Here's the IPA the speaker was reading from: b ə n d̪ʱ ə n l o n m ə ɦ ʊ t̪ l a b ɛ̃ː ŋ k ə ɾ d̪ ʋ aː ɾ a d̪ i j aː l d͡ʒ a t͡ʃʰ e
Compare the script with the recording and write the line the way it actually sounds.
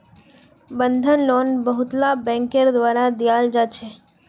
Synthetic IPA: b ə n d̪ʱ ə n l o n b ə ɦ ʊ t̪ l a b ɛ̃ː ŋ k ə ɾ d̪ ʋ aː ɾ a d̪ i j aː l d͡ʒ a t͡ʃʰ e